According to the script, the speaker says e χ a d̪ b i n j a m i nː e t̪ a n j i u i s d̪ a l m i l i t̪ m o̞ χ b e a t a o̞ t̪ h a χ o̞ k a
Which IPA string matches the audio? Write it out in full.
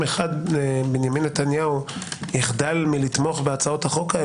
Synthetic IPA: e χ a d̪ b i n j a m i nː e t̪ a n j a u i χ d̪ a l m i l i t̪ m o̞ χ b e a t͡s a o̞ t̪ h a χ o̞ k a

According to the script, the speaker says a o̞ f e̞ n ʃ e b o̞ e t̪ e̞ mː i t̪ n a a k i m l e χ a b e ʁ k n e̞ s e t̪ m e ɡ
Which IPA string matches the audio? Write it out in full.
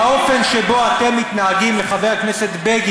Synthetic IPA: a o̞ f e̞ n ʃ e b o̞ a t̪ e̞ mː i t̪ n a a ɡ i m l e χ a v e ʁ k n e̞ s e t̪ b e ɡ

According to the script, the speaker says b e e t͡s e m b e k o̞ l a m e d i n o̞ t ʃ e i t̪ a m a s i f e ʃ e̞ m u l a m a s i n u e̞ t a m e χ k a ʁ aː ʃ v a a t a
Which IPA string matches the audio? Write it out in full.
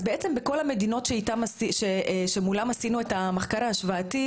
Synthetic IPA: b e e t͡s e m b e k o̞ l a m e d i n o̞ t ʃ e i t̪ a m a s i ʃ e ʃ e̞ m u l a m a s i n u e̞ t a m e χ k a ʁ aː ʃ v a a t i

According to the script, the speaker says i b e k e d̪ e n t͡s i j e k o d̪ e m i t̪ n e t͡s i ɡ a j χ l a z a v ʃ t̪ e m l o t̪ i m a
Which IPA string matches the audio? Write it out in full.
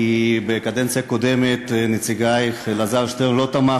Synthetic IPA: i b e k a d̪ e n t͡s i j a k o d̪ e m e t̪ n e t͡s i ɡ a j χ l a z a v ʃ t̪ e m l o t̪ a m a

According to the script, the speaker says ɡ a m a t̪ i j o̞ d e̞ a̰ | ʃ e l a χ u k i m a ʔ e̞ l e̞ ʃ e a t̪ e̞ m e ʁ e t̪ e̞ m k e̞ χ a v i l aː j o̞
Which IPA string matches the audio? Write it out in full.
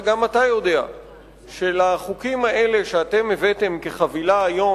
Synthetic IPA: ɡ a m a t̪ a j o̞ d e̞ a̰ | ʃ e l a χ u k i m a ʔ e̞ l e̞ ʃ e a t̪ e̞ m e v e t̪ e̞ m k e̞ χ a v i l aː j o̞

